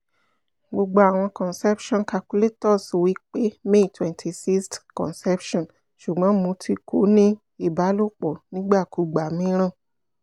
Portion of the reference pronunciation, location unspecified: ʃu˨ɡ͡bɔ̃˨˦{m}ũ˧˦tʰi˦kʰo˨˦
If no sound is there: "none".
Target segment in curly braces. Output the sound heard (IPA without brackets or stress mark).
m